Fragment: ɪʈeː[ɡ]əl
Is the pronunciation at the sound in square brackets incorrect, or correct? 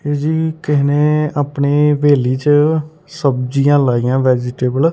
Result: incorrect